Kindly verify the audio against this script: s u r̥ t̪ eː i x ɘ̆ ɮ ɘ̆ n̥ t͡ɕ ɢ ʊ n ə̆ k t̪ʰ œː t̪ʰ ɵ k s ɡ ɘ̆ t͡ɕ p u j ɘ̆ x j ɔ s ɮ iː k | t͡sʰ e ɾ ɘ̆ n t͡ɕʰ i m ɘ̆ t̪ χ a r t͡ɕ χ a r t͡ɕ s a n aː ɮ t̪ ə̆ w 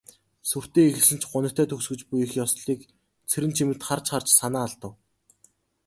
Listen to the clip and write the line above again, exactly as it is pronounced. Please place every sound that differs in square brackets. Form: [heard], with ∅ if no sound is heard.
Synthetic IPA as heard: s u r̥ t̪ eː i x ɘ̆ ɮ ɘ̆ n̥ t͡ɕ ɢ ʊ n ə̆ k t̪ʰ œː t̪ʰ ɵ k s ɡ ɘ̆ t͡ɕ p u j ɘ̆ x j ɔ s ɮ iː k | t͡sʰ e ɾ ɘ̆ n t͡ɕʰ i m ɘ̆ t̪ χ a r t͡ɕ χ a r t͡ɕ s a n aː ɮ t̪ ə̆ w